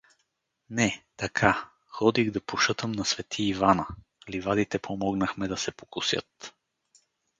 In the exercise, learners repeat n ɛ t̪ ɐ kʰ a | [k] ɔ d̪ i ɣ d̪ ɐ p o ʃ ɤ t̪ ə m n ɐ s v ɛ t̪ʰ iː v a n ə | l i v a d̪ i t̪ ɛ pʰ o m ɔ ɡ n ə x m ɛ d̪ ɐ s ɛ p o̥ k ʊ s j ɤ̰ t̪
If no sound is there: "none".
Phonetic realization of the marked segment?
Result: x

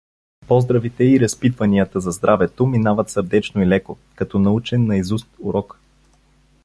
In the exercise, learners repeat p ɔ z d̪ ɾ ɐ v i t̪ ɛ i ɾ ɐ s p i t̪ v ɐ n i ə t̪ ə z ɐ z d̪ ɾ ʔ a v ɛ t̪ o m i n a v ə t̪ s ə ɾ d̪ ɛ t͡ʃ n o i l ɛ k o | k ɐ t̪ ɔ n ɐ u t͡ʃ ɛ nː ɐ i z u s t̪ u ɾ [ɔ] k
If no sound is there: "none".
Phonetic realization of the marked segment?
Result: ɔ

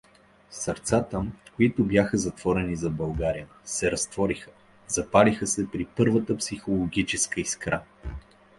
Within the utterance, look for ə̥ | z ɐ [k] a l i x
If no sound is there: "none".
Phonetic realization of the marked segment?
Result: p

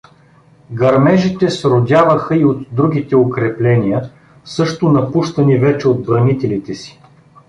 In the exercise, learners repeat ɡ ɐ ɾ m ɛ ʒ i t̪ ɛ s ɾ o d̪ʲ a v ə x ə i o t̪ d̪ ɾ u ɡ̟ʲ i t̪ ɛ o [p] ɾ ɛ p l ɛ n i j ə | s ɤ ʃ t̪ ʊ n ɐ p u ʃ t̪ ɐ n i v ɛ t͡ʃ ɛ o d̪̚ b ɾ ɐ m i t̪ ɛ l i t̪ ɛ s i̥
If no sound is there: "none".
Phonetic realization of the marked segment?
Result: k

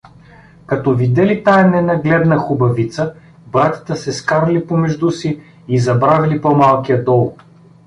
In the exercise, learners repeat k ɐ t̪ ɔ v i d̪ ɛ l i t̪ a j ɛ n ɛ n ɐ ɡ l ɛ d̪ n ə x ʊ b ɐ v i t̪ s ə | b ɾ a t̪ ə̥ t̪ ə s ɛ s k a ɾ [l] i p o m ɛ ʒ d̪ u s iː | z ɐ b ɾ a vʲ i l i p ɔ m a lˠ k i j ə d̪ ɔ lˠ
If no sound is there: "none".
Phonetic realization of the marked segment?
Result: l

